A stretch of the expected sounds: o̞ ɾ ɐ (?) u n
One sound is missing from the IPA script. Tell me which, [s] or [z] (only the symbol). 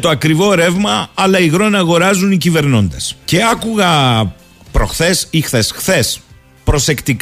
z